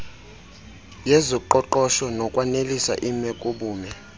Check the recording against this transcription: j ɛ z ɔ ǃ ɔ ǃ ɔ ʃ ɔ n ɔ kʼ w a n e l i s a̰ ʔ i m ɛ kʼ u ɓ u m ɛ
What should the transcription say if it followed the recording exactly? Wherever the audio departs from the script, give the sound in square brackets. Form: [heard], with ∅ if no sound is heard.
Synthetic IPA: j ɛ z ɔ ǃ ɔ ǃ ɔ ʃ ɔ n ɔ kʼ w a n e l i s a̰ ʔ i m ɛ kʼ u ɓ [uː] m ɛ

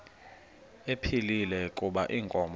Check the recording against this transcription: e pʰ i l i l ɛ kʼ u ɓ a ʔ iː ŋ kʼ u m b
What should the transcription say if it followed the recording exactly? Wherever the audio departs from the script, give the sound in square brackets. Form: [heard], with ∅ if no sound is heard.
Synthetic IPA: e pʰ i l i l ɛ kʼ u ɓ a ʔ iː ŋ kʼ [ɔ] m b

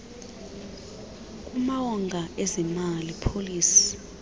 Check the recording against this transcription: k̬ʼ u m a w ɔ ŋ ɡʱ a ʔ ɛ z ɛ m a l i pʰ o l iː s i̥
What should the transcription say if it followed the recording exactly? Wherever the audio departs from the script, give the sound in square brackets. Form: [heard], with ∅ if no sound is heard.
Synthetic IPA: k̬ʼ u m a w ɔ ŋ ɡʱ a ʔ ɛ z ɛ m a l i pʰ o l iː s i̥

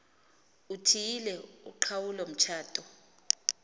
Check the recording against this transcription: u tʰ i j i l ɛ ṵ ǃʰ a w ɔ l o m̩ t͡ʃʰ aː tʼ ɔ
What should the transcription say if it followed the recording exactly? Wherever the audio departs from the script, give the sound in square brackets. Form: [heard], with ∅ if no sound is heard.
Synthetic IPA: u tʰ i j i l ɛ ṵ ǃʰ a w [u] l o m̩ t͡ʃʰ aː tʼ ɔ

